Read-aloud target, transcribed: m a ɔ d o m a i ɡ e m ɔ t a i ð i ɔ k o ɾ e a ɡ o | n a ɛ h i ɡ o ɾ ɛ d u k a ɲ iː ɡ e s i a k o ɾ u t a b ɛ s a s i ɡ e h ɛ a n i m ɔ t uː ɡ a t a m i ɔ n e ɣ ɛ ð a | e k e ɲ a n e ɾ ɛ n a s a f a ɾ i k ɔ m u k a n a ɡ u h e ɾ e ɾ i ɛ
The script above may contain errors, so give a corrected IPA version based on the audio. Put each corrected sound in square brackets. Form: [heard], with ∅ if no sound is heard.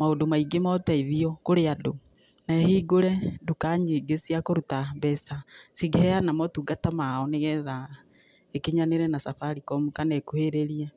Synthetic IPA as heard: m a [o] d o m a i ɡ e m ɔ t a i ð i ɔ k o ɾ e a [d] o | n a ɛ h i ɡ o ɾ ɛ d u k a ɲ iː ɡ e s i a k o ɾ u t a b ɛ s a s i ɡ e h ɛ a n [a] m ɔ t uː ɡ a t a m [a] ɔ n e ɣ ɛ ð a | e k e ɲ a n e ɾ ɛ n a s a f a ɾ i k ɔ m u k a n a [k] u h e ɾ e ɾ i ɛ

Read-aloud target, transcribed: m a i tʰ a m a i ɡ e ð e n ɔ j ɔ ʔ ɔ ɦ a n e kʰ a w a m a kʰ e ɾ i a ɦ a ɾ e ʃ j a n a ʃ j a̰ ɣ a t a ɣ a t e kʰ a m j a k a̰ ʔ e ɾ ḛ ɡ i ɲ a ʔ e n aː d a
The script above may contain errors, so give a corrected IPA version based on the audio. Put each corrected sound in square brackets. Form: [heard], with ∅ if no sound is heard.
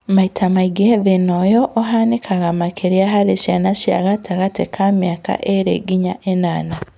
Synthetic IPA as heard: m a i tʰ a m a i ɡ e ð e n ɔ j ɔ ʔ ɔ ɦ a n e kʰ a [ɣ] a m a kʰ e ɾ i a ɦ a ɾ e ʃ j a n a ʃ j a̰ ɣ a t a ɣ a t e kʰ a m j a k a̰ ʔ e ɾ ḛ ɡ i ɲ a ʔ e n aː [n] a

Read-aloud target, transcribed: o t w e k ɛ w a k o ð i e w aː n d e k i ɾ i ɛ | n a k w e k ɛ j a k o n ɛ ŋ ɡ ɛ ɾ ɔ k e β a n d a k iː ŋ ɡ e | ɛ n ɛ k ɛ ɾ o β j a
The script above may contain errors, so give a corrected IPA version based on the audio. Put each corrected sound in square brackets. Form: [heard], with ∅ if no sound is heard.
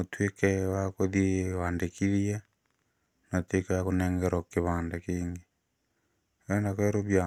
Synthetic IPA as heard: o t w e k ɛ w a k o ð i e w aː n d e k i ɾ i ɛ | n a [t] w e k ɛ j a k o n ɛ ŋ ɡ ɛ ɾ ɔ k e β a n d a k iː ŋ ɡ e | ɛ n [a] k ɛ ɾ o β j a

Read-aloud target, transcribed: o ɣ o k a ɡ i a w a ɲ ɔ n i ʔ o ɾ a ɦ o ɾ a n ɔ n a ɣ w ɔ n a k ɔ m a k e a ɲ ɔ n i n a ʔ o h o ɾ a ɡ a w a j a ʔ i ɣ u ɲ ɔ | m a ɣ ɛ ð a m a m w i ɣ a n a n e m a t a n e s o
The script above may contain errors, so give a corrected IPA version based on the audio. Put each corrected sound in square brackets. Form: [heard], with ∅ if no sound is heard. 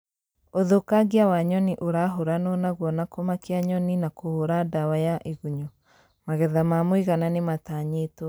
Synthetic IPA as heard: o [ð] o k a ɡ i a w a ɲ ɔ n i ʔ o ɾ a ɦ o ɾ a n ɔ n a ɣ w ɔ n a k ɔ m a k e a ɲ ɔ n i n a [k] o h o ɾ a [d] a w a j a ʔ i ɣ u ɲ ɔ | m a ɣ ɛ ð a m a m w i ɣ a n a n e m a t a [ɲ] e [t] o

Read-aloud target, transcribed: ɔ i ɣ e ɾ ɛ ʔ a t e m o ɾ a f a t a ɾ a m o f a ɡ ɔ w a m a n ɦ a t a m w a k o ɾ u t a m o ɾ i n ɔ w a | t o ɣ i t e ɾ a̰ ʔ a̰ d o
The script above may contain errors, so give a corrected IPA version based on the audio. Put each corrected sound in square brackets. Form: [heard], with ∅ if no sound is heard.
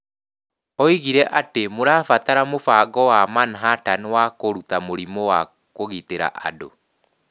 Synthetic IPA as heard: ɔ i ɣ [i] ɾ ɛ ʔ a t e m o ɾ a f a t a ɾ a m o f a ɡ ɔ w a m a n ɦ a t a [n] w a k o ɾ u t a m o ɾ i [m] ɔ w a | [k] o ɣ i t e ɾ a̰ ʔ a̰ d o

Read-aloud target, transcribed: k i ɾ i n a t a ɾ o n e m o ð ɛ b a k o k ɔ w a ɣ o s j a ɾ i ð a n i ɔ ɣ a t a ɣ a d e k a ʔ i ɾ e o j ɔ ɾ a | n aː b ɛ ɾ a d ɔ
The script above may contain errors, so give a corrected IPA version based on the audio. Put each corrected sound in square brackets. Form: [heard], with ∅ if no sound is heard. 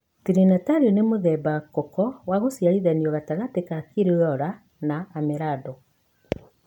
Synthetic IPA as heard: [t] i ɾ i n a t a ɾ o n e m o ð ɛ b a k [ɔ] k ɔ w a ɣ o s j a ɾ i ð a n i ɔ ɣ a t a ɣ a [t] e k a [k] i ɾ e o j ɔ ɾ a | n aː [m] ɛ ɾ a d ɔ

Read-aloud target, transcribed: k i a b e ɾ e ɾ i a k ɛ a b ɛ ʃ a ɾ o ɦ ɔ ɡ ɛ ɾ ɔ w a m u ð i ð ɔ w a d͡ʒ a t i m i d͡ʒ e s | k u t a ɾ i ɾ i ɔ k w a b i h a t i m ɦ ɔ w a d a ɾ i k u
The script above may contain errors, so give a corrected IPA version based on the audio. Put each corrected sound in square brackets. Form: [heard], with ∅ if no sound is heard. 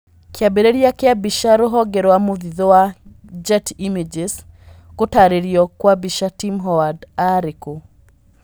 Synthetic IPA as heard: k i a b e ɾ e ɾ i a k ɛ a b [i] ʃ a ɾ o ɦ ɔ ɡ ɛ ɾ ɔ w a m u ð i ð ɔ w a d͡ʒ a t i m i d͡ʒ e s | k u t a ɾ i ɾ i ɔ k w a b i [ʃ] a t i m ɦ ɔ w a d a ɾ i k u

